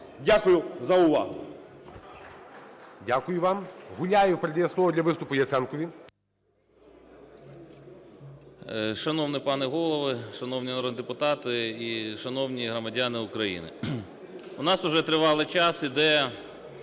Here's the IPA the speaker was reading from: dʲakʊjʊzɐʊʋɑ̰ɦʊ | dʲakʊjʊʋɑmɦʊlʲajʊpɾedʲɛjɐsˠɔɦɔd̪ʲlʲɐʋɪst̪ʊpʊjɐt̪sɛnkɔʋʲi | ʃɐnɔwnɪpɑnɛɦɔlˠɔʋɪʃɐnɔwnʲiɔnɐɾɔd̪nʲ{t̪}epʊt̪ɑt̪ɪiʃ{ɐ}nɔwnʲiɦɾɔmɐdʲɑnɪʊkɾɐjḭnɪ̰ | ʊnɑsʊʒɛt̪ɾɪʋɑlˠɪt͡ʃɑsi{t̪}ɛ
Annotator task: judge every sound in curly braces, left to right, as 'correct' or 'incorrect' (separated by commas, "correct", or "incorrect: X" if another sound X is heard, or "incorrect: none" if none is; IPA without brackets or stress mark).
incorrect: d̪, correct, incorrect: d̪